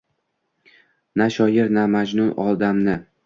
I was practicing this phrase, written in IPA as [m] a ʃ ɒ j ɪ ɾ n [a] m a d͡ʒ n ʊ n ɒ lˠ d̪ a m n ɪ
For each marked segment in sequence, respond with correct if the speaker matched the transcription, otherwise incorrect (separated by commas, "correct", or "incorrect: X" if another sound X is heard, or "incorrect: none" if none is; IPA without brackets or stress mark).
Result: incorrect: n, correct